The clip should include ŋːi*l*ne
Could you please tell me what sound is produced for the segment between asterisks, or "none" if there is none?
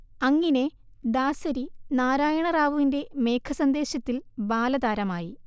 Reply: none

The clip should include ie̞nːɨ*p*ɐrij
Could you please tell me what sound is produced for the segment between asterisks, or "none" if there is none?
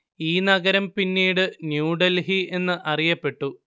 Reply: ʔ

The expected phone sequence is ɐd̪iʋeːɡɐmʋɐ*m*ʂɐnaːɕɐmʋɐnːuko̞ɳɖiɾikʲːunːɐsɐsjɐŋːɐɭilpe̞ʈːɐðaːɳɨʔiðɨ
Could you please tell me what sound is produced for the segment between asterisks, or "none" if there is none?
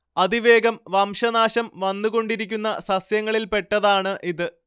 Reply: m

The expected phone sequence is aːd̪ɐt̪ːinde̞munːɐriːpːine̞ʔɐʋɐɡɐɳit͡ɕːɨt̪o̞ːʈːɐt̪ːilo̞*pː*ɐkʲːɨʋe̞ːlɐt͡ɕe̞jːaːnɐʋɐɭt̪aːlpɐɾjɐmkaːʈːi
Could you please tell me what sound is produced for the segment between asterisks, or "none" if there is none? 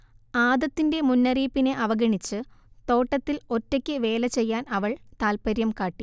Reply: tː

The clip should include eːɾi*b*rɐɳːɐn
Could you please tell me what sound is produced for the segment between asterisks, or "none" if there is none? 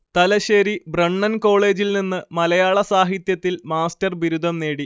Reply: b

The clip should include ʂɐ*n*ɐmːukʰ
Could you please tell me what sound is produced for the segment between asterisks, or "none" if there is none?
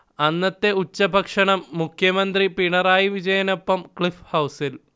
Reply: ɳ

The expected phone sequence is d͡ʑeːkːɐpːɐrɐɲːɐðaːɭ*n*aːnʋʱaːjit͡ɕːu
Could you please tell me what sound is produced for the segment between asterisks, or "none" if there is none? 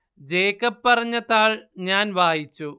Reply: ɲ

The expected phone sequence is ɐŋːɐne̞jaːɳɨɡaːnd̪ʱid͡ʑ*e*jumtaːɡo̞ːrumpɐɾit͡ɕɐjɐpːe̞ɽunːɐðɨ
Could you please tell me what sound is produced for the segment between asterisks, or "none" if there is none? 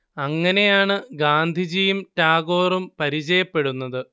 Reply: i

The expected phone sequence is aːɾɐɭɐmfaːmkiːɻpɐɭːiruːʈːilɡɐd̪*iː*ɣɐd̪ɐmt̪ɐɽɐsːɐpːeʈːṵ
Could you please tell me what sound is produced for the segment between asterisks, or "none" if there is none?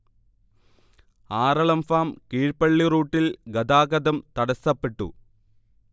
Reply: aː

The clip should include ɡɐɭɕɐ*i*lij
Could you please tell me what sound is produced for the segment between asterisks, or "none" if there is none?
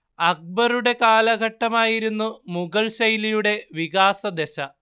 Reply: j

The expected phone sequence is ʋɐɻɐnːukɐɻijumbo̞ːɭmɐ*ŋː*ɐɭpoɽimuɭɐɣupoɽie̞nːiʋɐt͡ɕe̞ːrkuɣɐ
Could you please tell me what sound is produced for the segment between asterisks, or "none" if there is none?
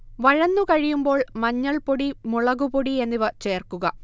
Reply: ɲː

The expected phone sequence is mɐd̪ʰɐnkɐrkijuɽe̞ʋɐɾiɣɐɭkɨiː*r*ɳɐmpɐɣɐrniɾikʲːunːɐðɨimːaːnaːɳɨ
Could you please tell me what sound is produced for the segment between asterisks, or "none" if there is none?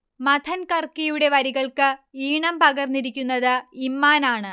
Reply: none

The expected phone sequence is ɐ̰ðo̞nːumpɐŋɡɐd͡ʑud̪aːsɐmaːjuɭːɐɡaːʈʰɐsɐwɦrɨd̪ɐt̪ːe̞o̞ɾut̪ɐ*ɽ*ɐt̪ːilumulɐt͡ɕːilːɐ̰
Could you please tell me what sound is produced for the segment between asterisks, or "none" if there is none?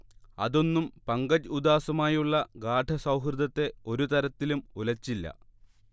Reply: ɾ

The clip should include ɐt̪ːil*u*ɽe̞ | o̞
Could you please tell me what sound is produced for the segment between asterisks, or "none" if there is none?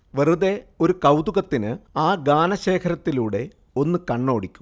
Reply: uː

